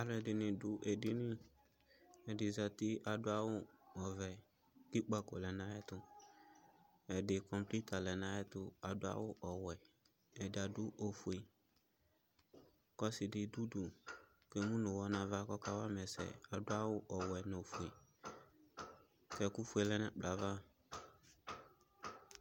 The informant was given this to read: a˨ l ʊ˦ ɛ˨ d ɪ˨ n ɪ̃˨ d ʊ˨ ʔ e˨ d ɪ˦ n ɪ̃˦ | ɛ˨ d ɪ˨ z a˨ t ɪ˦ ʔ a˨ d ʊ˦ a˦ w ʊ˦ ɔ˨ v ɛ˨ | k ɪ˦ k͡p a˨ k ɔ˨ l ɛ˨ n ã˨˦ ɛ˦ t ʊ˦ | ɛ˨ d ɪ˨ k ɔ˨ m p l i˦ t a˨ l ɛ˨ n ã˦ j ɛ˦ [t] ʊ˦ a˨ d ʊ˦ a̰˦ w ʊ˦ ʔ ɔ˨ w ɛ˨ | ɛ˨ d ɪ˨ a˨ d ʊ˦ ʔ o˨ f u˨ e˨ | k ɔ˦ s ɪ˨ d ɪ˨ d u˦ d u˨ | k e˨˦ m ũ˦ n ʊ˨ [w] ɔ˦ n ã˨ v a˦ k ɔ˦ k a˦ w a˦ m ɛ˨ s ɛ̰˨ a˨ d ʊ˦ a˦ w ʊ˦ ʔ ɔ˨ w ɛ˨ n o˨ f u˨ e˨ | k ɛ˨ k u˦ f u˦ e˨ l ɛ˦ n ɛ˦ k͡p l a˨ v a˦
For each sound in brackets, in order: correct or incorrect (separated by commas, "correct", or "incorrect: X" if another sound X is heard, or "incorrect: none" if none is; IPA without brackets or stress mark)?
correct, correct